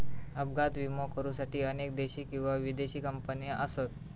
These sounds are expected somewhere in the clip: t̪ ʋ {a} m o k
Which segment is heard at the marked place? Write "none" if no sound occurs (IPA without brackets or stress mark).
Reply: i